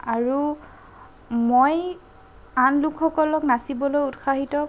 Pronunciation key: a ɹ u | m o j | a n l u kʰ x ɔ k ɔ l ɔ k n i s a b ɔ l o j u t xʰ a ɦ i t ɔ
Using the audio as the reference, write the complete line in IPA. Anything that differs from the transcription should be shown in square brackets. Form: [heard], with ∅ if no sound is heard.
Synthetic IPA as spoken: a ɹ u | m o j | a n l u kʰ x ɔ k ɔ l ɔ k n [a] s [i] b ɔ l o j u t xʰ a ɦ i t ɔ